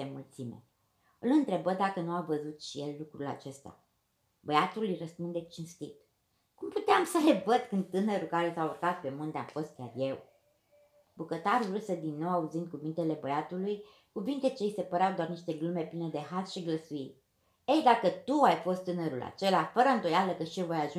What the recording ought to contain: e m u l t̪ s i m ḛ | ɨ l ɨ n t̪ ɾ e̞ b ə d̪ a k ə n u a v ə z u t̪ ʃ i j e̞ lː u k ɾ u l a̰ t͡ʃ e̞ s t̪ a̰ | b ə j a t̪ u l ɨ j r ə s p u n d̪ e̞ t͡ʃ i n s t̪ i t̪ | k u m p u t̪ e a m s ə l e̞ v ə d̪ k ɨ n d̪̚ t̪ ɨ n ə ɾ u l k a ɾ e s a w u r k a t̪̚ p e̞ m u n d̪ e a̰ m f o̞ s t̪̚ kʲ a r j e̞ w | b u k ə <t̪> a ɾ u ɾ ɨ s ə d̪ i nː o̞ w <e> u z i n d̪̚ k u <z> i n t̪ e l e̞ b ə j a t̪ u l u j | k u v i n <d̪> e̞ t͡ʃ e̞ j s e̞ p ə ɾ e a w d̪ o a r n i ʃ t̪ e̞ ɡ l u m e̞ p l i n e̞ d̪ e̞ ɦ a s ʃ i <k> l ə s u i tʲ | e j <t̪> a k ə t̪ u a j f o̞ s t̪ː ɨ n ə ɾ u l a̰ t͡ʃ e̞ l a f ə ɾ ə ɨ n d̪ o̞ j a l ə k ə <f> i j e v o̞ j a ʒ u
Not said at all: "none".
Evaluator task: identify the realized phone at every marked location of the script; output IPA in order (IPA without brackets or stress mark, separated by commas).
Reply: t̪, a, v, t̪, ɡ, d̪, ʃ